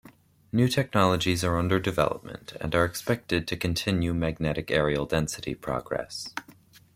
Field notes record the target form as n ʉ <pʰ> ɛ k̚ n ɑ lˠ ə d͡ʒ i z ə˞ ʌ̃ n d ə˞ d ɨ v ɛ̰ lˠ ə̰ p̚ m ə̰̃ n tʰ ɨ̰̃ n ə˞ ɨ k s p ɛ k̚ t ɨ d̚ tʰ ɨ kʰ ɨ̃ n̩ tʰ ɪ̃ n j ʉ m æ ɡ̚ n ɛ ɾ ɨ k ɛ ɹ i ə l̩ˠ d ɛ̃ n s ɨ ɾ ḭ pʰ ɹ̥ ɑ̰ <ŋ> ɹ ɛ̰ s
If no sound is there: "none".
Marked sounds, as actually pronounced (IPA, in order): tʰ, ɡ

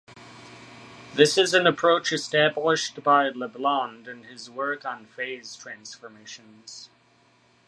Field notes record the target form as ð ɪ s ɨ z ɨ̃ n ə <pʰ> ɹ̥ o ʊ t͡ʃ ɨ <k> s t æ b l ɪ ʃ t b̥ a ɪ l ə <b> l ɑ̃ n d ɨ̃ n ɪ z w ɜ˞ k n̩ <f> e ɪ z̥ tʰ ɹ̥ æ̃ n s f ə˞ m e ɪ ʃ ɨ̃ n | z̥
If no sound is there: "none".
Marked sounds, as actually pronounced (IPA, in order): pʰ, none, b, f

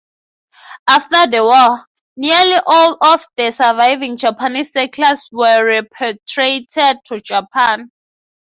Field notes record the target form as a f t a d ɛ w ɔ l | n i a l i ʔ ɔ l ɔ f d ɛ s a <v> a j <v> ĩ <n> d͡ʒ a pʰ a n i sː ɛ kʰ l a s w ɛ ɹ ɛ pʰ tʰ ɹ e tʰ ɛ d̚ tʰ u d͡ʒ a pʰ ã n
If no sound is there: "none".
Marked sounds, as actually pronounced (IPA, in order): v, v, ŋ

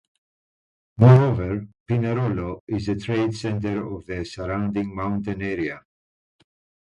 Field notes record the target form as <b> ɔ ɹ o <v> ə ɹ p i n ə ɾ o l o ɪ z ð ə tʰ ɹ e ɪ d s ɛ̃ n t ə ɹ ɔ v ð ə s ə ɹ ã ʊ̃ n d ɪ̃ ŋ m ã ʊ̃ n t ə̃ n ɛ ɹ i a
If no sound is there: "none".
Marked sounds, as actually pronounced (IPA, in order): m, v

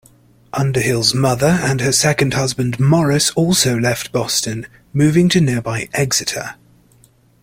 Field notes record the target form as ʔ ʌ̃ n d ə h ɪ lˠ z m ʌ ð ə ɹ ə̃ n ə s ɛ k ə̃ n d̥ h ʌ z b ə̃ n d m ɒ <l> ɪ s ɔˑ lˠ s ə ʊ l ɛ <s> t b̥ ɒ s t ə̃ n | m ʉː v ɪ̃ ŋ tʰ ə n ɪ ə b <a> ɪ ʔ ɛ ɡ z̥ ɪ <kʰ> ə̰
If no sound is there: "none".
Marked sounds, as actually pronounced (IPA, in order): ɹ, f, a, tʰ

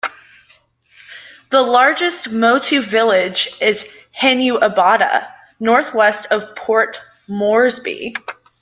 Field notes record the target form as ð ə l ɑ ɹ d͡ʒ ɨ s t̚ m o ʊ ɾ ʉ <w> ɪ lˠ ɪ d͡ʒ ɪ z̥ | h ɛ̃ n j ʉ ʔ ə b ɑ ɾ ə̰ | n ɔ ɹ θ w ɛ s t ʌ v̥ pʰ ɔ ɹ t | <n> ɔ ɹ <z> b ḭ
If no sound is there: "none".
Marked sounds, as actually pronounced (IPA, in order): v, m, z

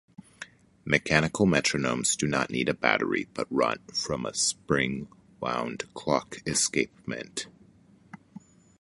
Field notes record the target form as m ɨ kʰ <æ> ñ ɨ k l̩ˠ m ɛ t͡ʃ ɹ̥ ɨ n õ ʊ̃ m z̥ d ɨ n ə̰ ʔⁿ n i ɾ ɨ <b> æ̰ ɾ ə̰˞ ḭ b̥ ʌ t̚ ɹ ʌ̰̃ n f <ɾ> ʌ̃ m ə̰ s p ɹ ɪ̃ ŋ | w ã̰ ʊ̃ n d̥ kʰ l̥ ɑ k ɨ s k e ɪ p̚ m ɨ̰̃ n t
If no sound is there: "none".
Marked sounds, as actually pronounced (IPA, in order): æ, b, ɹ

